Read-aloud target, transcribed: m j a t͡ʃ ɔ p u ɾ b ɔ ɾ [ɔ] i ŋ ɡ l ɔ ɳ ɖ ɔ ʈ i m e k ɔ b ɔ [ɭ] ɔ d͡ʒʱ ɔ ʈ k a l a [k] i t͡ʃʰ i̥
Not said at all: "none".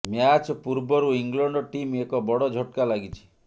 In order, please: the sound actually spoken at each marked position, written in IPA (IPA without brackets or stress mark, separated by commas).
u, ɽ, ɡ